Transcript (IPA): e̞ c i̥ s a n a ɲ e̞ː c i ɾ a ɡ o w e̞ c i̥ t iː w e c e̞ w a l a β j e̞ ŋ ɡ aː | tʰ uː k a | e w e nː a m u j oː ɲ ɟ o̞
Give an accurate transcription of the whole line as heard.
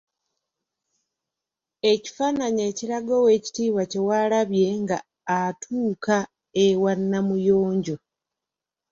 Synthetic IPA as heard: e̞ c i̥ f a n a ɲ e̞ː c i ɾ a ɡ o w e̞ c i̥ t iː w a c e̞ w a l a β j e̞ ŋ ɡ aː | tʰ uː k a | e w a nː a m u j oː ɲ ɟ o̞